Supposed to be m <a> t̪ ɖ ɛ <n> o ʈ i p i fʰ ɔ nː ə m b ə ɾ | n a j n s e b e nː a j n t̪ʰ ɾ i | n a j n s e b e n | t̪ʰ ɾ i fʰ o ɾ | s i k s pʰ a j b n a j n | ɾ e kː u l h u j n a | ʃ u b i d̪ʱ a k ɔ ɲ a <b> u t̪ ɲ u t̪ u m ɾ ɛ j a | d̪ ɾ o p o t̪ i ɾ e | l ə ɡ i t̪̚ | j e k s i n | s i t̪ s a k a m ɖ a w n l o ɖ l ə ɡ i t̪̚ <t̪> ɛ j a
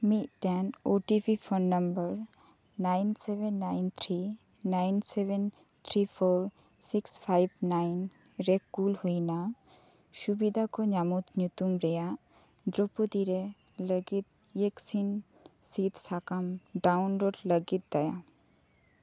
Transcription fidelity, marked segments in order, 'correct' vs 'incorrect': incorrect: i, correct, incorrect: m, incorrect: d̪

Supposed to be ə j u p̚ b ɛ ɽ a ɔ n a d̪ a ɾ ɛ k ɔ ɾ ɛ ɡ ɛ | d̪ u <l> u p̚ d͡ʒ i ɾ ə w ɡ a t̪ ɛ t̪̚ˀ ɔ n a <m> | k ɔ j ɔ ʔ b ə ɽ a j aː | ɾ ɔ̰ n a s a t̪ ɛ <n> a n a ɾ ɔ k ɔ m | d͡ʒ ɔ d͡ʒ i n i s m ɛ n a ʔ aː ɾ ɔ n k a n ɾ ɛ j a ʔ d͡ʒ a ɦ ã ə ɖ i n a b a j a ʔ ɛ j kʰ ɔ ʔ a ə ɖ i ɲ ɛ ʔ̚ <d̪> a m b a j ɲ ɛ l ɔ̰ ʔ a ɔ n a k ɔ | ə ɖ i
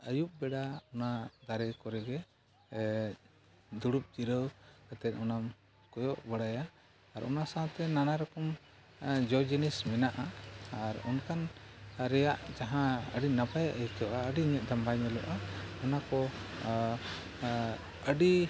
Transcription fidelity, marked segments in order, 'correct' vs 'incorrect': incorrect: ɽ, correct, correct, correct

